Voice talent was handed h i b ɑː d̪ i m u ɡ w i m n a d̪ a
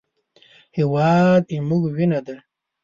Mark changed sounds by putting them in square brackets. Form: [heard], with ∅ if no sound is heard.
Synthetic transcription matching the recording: h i [w] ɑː d̪ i m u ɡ w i [∅] n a d̪ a